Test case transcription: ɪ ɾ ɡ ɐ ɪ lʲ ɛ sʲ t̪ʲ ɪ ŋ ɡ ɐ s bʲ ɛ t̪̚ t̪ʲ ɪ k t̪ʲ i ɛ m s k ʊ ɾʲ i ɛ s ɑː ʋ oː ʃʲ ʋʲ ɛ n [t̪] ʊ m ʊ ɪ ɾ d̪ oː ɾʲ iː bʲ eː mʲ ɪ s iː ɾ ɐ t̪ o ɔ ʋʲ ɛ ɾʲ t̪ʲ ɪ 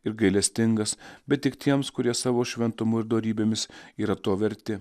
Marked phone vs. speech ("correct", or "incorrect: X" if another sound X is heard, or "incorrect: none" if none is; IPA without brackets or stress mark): correct